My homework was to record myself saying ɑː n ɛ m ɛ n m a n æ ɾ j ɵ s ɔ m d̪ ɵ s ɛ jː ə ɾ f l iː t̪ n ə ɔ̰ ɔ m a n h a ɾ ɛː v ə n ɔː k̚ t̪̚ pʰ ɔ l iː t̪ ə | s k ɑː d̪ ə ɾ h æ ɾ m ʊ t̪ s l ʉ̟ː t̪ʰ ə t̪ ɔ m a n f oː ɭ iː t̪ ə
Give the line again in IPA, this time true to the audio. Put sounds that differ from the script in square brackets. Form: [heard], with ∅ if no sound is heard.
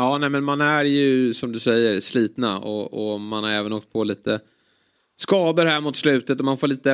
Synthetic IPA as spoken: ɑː n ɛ m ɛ n m a n æ ɾ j ɵ s ɔ m d̪ ɵ s ɛ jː ə ɾ [s] l iː t̪ n [a] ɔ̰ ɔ m a n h a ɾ ɛː v ə n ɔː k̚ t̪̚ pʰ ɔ l iː t̪ ə | s k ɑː d̪ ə ɾ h æ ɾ m ʊ t̪ s l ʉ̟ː [t̪] ə t̪ ɔ m a n f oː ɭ iː t̪ ə